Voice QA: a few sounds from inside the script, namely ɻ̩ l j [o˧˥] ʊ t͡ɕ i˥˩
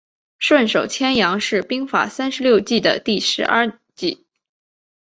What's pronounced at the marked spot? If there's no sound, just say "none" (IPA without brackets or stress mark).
o˥˧